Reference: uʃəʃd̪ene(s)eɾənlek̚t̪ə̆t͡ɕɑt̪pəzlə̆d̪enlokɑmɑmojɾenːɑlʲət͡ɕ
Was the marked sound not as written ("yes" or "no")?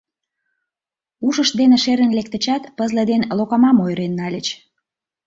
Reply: yes